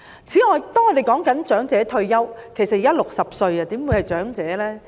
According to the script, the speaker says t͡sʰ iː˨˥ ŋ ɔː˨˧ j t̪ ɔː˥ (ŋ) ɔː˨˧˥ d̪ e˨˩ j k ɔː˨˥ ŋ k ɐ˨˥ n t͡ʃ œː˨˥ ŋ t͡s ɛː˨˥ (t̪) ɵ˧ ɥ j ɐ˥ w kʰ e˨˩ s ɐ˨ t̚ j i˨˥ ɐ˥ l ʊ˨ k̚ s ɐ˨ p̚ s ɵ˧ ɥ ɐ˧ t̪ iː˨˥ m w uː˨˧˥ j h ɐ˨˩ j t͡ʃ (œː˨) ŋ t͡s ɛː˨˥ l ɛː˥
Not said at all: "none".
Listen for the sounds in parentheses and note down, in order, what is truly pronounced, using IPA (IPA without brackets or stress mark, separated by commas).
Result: ŋ, t̪ʰ, œː˨˥